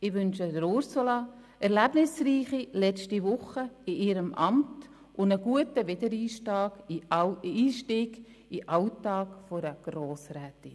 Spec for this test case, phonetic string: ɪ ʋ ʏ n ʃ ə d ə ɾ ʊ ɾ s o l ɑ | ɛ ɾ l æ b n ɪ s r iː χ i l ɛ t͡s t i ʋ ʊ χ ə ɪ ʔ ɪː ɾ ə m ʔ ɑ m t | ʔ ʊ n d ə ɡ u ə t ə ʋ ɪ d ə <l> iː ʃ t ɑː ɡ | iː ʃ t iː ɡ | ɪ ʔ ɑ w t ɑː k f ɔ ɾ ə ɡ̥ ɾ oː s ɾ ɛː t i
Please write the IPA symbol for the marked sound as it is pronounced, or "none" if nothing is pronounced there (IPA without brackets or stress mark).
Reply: ɾ